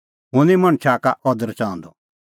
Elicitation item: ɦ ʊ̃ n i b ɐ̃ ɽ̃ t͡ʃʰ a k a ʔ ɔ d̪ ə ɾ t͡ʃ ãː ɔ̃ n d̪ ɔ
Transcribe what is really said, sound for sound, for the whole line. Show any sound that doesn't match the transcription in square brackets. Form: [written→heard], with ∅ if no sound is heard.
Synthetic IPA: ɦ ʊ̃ n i [b→m] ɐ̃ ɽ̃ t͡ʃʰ a k a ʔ ɔ d̪ ə ɾ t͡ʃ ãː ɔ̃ n d̪ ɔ